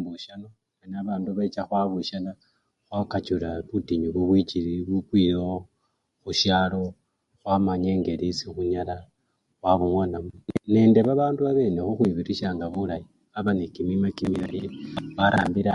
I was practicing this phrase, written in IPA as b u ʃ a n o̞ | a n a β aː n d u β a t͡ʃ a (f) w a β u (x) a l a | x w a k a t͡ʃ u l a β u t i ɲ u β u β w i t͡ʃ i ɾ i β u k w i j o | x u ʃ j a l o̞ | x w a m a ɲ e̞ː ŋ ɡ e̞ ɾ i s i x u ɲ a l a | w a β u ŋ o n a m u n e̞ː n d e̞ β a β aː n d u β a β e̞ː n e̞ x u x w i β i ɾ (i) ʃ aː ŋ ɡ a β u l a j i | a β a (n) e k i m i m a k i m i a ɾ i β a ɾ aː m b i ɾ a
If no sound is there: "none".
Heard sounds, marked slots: x, ʃ, i, n

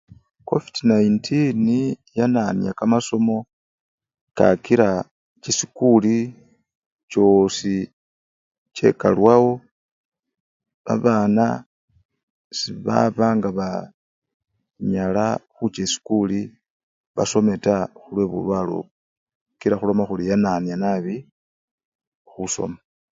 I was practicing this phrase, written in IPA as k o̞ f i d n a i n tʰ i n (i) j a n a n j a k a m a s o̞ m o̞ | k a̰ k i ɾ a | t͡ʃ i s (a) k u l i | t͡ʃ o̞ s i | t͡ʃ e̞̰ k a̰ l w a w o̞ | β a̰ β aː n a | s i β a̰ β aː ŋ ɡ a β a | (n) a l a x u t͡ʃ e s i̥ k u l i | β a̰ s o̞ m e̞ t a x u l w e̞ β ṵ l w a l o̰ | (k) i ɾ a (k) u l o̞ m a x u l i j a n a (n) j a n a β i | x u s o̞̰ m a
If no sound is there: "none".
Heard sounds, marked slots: i, i, ɲ, k, x, n

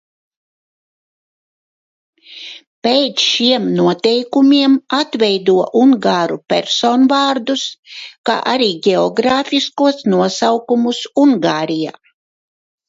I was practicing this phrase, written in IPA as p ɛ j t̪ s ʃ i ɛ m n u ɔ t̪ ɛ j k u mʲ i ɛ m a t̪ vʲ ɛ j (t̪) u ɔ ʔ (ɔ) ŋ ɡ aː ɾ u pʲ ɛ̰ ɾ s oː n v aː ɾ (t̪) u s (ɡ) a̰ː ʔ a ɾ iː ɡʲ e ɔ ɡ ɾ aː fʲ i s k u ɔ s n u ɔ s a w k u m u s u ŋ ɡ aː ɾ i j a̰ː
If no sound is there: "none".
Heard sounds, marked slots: d̪, u, d̪, k

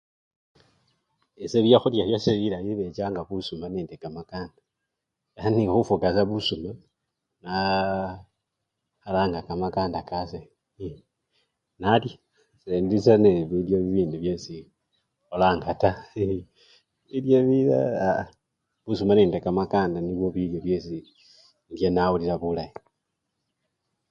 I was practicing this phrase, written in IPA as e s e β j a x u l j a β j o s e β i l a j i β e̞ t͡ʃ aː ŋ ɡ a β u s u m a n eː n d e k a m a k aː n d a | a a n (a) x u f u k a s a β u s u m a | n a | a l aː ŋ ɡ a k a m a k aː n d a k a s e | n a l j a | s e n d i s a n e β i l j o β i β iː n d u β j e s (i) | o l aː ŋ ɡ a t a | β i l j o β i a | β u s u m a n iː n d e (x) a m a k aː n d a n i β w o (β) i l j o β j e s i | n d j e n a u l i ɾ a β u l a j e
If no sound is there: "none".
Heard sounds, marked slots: i, i, k, β

